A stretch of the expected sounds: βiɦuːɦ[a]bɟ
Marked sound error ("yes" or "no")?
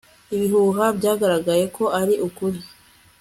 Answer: no